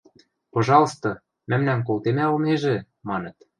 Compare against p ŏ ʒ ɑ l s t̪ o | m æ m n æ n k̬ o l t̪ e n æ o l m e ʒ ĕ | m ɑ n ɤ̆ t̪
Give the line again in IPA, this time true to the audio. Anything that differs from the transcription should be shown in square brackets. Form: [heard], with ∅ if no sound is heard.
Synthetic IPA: p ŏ ʒ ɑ l s t̪ o | m æ m n æ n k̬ o l t̪ e [m] æ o l m e ʒ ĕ | m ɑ n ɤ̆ t̪